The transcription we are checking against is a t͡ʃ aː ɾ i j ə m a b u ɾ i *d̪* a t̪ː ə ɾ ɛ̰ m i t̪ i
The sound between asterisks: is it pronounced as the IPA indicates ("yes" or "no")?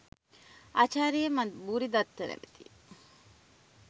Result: yes